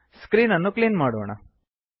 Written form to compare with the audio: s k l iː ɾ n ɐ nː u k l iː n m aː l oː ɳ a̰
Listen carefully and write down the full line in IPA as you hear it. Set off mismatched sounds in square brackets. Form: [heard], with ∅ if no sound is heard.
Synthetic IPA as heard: s k [ɾ] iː [∅] n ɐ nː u k l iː n m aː [ɽ] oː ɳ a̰